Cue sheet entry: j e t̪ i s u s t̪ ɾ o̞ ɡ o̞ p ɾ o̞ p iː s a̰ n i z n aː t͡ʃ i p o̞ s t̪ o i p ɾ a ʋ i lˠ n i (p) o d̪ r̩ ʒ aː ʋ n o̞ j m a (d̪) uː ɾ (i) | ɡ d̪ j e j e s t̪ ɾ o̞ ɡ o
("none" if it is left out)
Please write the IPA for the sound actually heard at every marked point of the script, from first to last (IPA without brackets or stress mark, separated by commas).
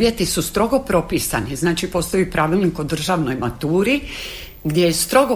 k, t̪, i